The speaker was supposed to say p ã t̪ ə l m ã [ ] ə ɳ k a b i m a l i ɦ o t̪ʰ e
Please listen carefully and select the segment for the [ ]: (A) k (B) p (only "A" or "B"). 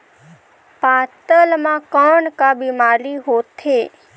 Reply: A